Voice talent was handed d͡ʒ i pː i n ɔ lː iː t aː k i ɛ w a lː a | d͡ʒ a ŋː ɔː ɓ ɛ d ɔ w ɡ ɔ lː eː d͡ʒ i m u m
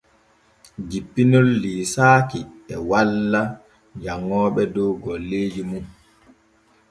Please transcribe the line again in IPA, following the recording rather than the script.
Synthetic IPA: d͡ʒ i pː i n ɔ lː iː s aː k i ɛ w a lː a | d͡ʒ a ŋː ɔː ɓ ɛ d ɔ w ɡ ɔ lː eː d͡ʒ i m u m